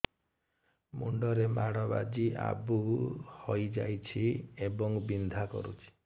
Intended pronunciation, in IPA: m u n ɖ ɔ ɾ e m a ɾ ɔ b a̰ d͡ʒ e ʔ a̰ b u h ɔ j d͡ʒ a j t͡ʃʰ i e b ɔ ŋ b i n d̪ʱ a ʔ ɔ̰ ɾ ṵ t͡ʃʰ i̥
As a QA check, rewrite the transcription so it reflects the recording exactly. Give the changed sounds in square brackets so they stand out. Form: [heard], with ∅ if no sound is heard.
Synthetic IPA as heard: m u [ɳ] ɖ ɔ ɾ e m a [ɽ] ɔ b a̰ d͡ʒ [i] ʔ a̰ b u h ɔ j d͡ʒ a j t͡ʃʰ i e b ɔ ŋ b i n d̪ʱ a [k] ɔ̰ ɾ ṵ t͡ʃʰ i̥